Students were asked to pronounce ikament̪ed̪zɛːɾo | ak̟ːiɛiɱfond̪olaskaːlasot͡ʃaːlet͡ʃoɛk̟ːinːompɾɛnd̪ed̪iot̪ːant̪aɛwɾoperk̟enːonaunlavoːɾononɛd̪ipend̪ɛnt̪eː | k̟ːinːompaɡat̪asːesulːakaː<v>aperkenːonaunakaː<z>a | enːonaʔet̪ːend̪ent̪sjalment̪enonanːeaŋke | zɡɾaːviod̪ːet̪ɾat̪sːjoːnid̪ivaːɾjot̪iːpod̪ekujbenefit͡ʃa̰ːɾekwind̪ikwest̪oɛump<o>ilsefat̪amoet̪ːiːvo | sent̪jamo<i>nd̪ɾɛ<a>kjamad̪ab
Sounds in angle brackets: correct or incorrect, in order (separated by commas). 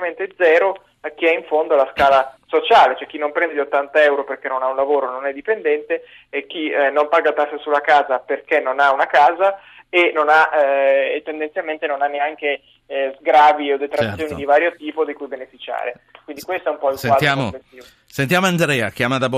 incorrect, correct, incorrect, incorrect, correct